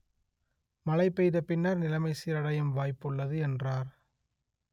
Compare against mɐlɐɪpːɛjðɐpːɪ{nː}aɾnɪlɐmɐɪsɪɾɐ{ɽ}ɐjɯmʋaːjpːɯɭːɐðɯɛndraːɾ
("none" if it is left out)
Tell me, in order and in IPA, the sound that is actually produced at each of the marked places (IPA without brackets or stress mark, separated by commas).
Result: nː, ɽ